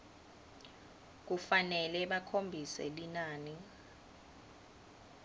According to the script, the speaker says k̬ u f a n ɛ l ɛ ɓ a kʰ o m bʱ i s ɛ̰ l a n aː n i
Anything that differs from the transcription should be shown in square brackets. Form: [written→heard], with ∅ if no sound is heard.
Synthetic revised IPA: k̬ u f a n ɛ l ɛ ɓ a kʰ o m bʱ i s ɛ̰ l [a→i] n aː n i